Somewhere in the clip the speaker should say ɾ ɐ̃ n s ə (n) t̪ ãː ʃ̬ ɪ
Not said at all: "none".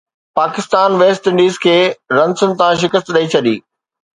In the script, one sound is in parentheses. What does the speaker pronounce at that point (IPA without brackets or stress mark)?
n